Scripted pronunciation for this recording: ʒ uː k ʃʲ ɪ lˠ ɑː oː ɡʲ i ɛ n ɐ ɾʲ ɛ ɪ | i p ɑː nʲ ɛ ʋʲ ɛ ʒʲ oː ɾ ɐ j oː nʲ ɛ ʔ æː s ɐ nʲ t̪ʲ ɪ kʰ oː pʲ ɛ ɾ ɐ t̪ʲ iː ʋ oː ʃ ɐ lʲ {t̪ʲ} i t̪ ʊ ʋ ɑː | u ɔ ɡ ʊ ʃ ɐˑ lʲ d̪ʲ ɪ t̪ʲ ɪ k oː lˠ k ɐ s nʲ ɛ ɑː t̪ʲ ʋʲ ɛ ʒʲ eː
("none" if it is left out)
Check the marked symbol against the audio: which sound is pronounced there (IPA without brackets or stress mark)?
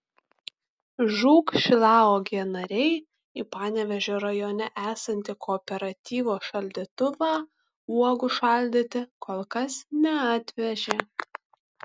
d̪ʲ